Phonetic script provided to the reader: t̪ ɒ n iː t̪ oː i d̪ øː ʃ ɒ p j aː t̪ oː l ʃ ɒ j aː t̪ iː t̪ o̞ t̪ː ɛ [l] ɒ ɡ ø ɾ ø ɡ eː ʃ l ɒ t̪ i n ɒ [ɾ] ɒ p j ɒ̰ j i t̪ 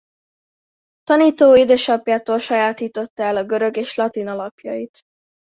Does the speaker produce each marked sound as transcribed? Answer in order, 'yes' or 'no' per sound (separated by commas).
yes, no